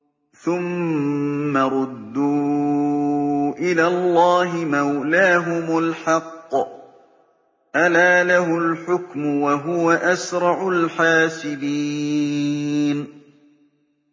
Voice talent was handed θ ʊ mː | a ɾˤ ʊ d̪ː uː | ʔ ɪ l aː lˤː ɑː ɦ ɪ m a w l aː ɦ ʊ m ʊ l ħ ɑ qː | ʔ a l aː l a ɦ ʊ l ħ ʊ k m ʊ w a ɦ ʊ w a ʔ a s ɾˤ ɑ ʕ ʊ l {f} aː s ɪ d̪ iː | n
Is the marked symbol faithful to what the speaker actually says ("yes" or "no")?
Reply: no